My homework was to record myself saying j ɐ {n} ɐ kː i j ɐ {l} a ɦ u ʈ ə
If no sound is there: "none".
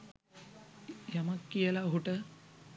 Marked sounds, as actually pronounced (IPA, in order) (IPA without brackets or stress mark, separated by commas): m, l